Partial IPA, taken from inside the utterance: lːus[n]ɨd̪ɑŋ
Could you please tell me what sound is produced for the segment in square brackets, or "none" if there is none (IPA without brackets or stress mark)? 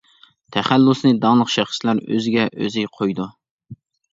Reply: n